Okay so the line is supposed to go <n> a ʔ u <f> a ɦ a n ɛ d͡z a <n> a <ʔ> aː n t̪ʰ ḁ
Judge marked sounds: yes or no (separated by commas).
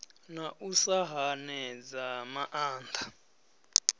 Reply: yes, no, no, yes